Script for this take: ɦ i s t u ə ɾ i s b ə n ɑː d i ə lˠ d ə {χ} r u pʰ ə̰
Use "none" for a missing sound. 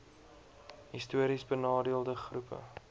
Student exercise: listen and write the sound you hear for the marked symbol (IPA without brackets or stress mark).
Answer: χ